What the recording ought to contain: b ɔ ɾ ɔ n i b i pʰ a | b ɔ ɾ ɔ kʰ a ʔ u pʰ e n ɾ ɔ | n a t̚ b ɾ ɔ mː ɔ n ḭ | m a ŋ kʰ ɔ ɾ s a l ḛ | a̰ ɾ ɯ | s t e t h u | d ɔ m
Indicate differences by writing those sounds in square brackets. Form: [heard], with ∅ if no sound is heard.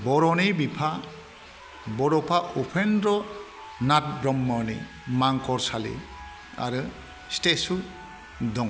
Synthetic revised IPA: b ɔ ɾ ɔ n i b i pʰ a | b ɔ ɾ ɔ [pʰ] a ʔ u pʰ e n ɾ ɔ | n a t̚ b ɾ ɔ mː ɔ n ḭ | m a ŋ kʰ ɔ ɾ s a l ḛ | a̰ ɾ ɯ | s t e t [s] u | d ɔ [ŋ]